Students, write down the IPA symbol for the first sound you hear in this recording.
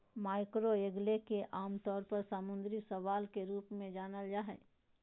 m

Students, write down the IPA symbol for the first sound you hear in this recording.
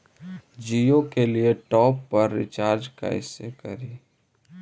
d͡ʒ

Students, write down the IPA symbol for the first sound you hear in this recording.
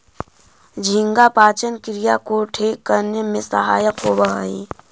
d͡ʒʱ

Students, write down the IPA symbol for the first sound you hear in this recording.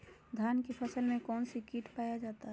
d̪ʱ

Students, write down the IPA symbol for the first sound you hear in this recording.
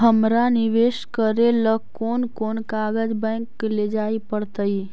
ɦ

